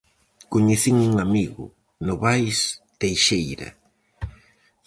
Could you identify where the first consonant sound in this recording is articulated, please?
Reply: velar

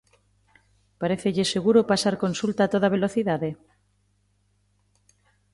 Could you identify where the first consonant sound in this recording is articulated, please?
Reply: labial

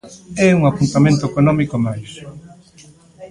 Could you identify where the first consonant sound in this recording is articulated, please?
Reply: velar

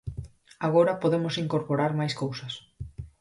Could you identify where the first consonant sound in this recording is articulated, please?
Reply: velar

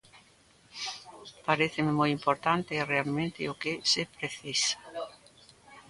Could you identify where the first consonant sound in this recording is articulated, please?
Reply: labial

